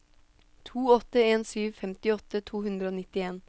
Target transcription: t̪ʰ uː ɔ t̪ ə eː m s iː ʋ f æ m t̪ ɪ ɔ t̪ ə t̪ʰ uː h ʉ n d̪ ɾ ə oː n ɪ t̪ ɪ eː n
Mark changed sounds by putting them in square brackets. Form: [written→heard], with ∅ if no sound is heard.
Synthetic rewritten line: t̪ʰ uː ɔ t̪ ə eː [m→n] s [iː→yː] ʋ f [æ→ɛ] m t̪ ɪ ɔ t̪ ə t̪ʰ uː h ʉ n d̪ ɾ ə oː n ɪ t̪ ɪ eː n